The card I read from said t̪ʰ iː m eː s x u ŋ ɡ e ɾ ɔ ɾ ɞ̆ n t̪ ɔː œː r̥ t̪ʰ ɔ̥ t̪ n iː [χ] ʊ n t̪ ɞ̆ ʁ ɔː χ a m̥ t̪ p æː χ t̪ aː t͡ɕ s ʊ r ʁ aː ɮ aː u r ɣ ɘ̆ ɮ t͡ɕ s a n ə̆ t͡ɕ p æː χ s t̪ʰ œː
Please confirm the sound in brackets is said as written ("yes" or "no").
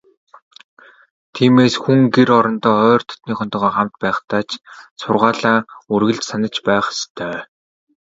yes